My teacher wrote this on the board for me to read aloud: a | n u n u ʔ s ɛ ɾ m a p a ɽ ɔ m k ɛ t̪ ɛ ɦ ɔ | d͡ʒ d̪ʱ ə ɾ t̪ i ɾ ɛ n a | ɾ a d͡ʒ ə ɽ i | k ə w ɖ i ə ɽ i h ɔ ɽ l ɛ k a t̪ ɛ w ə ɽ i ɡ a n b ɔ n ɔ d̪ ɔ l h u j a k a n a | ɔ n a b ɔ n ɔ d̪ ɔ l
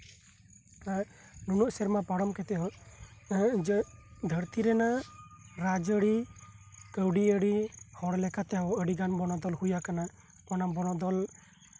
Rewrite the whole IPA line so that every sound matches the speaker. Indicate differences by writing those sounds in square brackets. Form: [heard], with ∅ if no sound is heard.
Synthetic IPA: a | n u n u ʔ s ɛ ɾ m a p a ɽ ɔ m k ɛ t̪ ɛ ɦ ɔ | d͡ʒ d̪ʱ ə ɾ t̪ i ɾ ɛ n a | ɾ a d͡ʒ ə ɽ i | k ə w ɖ i ə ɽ i h ɔ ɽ l ɛ k a t̪ ɛ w ə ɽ i ɡ a n b ɔ n ɔ d̪ ɔ l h u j a k a n a | ɔ n a b ɔ n ɔ d̪ ɔ l